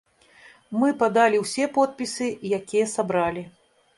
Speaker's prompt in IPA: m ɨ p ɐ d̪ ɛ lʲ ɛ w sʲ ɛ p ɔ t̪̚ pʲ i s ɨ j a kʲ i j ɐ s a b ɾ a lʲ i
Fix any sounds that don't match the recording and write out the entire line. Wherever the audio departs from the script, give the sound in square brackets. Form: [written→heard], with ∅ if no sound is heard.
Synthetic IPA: m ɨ p [ɐ→a] d̪ [ɛ→a] lʲ [ɛ→i] w sʲ ɛ p ɔ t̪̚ pʲ i s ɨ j a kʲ i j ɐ s a b ɾ a lʲ i